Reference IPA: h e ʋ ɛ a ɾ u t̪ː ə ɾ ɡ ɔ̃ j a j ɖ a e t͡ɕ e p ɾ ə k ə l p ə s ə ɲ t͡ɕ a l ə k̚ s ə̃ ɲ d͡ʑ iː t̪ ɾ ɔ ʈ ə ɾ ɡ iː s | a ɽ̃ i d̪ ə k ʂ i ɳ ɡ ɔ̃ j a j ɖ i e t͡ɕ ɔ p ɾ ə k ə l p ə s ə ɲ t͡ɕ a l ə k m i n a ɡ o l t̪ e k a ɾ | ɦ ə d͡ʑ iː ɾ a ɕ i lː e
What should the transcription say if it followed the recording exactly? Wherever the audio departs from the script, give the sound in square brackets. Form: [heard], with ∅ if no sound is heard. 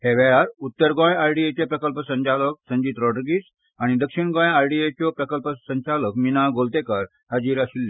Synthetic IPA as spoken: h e ʋ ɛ a ɾ u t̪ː ə ɾ ɡ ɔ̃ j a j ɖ [i] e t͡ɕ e p ɾ ə k ə l p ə s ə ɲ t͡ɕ a l ə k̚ s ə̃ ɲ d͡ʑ iː t̪ ɾ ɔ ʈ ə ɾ ɡ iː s | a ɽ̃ i d̪ ə k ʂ i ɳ ɡ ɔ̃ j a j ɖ i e t͡ɕ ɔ p ɾ ə k ə l p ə s ə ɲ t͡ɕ a l ə k m i n a ɡ o l t̪ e k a ɾ | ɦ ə d͡ʑ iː ɾ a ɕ i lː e